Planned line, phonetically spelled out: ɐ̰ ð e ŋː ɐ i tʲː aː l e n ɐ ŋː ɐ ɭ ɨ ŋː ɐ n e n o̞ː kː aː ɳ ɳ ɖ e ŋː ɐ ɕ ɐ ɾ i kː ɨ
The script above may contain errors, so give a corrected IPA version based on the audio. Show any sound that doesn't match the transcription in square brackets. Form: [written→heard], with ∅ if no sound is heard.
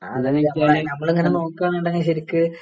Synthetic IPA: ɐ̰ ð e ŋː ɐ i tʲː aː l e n ɐ [ŋː→mː] ɐ ɭ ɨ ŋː ɐ n e n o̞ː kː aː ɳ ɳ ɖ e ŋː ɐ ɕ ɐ ɾ i kː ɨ